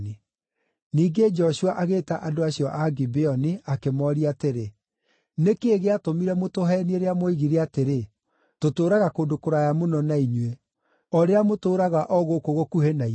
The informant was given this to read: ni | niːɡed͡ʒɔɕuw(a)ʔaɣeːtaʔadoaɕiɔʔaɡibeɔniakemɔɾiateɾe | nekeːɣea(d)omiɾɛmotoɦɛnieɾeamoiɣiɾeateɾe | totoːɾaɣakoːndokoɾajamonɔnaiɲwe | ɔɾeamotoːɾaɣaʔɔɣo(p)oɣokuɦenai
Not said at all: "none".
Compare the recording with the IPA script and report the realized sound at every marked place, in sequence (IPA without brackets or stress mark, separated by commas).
a, t, k